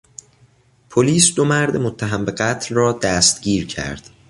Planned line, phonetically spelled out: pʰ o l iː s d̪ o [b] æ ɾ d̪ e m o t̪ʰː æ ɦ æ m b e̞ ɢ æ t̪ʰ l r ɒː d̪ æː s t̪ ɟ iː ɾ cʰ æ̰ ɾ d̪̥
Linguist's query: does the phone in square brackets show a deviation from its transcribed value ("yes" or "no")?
yes